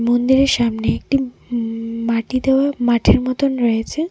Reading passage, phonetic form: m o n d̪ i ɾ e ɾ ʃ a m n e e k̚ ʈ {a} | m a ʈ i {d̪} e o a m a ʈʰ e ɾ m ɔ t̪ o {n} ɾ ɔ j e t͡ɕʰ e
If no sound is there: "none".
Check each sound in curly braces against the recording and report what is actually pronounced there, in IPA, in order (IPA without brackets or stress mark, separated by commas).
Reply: i, d̪, n